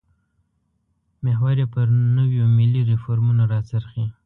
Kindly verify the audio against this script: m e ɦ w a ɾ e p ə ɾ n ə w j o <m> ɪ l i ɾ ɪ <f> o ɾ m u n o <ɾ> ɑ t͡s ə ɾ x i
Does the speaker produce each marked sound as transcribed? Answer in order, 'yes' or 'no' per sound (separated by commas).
yes, yes, yes